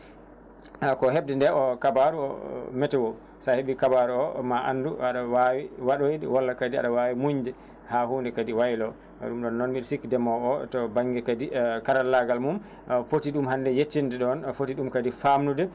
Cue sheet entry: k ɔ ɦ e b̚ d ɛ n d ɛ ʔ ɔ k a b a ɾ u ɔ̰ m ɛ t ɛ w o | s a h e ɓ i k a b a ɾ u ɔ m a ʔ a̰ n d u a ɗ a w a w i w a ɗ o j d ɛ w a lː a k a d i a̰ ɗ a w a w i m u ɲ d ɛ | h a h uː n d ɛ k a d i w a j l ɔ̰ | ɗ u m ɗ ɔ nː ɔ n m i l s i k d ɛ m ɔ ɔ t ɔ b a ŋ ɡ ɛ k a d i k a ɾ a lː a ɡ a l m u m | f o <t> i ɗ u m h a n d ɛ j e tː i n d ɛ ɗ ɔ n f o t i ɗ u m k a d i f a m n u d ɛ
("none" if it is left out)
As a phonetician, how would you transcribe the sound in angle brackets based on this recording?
t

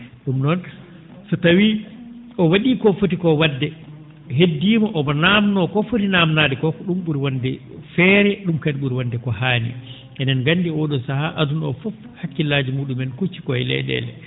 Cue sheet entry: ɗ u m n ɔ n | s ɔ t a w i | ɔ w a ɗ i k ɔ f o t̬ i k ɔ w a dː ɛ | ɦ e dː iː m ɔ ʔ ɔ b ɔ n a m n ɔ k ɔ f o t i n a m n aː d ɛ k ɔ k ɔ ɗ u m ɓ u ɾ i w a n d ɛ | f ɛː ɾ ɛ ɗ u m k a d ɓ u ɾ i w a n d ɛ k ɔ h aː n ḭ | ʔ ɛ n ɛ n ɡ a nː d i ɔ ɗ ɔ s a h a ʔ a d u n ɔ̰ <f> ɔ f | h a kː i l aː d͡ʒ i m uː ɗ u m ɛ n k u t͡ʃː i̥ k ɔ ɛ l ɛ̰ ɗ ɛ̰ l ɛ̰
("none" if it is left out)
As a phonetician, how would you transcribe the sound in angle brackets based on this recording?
f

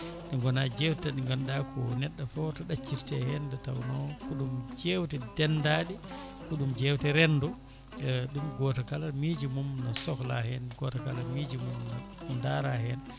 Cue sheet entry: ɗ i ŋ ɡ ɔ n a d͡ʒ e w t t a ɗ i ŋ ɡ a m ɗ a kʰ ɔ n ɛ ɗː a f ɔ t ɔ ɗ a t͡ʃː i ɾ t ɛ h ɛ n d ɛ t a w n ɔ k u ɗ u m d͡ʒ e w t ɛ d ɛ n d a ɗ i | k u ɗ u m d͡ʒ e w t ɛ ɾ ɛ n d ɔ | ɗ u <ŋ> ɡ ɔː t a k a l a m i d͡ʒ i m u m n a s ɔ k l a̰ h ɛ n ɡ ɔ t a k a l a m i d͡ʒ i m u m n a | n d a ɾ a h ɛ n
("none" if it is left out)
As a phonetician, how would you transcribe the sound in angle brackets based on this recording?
m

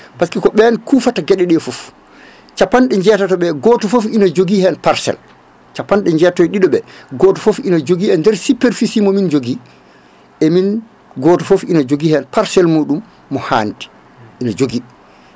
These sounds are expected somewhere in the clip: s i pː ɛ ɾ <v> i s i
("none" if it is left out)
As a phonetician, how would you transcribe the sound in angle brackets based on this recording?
f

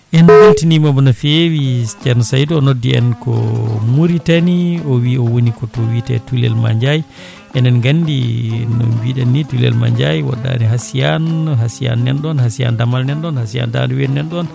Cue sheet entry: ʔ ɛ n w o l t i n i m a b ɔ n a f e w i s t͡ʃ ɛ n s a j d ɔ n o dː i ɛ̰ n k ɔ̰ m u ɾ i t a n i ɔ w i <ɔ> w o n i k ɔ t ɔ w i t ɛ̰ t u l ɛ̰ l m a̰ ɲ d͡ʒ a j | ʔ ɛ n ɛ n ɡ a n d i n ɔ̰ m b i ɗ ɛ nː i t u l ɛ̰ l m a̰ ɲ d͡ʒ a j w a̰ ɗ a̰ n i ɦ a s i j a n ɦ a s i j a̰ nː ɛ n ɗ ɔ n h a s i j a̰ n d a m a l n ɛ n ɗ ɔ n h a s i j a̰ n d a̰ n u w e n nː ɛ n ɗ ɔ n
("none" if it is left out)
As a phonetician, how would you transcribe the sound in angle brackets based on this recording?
ɔ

